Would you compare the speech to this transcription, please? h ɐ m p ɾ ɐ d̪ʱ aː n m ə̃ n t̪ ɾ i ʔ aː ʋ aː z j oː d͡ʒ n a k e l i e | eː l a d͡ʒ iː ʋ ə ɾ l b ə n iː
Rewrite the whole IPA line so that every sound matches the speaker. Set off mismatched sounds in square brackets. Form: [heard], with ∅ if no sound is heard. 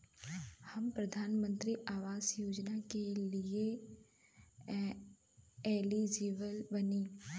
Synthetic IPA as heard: h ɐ m p ɾ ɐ d̪ʱ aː n m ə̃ n t̪ ɾ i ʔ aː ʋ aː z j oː d͡ʒ n a k e l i e | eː l [i] d͡ʒ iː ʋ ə [∅] l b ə n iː